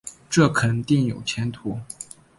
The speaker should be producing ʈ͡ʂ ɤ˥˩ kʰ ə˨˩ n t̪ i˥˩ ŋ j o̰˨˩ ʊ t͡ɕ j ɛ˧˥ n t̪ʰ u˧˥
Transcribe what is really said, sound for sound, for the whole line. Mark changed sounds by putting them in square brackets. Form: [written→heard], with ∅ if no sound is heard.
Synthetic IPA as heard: ʈ͡ʂ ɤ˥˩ kʰ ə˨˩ n t̪ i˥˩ ŋ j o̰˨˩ ʊ [t͡ɕ→t͡ɕʰ] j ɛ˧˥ n t̪ʰ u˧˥